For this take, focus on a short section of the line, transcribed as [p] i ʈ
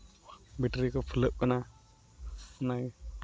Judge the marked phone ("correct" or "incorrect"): incorrect